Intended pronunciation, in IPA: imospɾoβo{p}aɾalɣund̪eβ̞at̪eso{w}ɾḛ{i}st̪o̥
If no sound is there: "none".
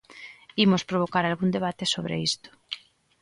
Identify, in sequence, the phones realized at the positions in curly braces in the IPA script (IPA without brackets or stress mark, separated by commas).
k, β, i